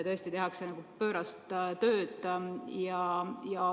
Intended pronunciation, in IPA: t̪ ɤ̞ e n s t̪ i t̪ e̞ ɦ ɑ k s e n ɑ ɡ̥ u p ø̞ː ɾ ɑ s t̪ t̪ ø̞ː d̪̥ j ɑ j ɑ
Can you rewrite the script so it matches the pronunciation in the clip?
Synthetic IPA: t̪ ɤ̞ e s t̪ i t̪ e̞ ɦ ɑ k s e n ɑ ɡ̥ u p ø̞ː ɾ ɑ s t̪ t̪ ø̞ː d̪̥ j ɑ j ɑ